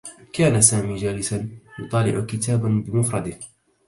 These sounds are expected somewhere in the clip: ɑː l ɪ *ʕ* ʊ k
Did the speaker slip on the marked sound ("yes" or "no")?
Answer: no